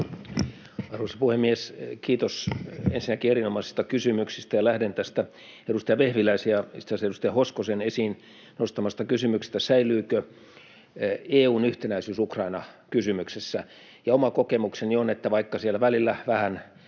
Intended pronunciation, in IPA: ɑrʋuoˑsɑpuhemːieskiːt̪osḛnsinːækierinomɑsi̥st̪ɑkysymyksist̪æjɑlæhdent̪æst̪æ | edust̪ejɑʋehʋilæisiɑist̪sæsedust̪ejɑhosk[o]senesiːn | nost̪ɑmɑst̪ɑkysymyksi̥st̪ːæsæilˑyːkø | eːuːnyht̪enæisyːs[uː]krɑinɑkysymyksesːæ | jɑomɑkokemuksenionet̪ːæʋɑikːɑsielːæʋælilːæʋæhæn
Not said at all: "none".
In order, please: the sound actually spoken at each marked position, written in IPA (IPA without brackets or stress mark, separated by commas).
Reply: o, u